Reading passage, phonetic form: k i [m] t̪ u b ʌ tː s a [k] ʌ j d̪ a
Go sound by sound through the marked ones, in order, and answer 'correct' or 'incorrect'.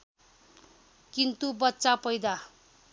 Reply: incorrect, incorrect

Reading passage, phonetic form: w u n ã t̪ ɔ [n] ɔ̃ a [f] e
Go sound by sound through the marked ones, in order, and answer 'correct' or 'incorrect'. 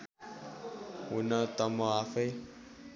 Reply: incorrect, correct

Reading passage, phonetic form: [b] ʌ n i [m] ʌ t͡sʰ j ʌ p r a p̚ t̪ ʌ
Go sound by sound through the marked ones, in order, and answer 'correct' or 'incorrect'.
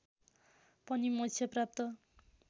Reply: incorrect, correct

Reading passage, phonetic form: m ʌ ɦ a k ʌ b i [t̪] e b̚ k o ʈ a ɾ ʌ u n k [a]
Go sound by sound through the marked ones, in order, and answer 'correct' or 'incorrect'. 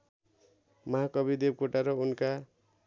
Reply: incorrect, correct

